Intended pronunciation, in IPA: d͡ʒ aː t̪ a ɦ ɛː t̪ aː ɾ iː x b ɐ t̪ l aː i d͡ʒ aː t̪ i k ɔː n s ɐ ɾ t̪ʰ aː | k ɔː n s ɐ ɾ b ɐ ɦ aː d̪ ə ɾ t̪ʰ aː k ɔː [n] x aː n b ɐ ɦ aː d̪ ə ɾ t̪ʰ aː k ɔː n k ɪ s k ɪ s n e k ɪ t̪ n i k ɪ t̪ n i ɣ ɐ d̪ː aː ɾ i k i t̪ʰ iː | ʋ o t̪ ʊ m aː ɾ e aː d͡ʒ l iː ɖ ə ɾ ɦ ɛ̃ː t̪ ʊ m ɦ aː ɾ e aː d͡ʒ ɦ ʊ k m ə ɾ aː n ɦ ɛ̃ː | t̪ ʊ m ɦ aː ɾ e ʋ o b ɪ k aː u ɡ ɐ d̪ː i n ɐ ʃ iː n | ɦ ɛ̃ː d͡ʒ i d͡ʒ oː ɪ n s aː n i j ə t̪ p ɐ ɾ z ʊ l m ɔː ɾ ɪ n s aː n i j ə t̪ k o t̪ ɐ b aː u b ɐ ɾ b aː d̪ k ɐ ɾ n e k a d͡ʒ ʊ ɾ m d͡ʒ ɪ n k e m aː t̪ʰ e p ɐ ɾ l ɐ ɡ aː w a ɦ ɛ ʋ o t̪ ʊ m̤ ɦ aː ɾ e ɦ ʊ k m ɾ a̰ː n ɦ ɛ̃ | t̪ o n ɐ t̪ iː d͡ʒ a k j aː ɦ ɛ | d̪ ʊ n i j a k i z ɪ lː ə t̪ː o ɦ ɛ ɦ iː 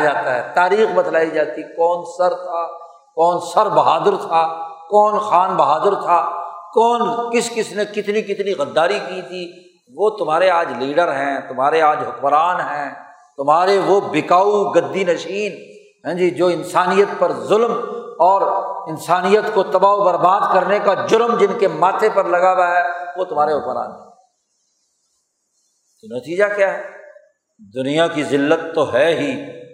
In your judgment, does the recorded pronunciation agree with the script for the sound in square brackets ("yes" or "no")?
yes